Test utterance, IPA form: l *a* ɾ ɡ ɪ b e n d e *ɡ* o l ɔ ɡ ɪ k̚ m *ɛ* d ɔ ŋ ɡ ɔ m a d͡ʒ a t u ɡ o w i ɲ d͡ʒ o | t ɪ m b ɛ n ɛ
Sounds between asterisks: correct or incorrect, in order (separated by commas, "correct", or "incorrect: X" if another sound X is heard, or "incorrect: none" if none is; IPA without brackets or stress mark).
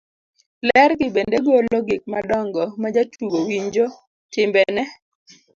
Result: incorrect: ɛ, correct, incorrect: a